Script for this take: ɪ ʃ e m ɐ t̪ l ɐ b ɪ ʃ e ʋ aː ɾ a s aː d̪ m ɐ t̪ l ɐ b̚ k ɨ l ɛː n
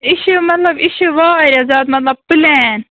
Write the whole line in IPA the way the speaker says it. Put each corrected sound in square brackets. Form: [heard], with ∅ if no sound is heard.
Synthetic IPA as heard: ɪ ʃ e m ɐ t̪ l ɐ b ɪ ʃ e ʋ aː ɾ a [z] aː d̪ m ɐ t̪ l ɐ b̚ [p] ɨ l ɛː n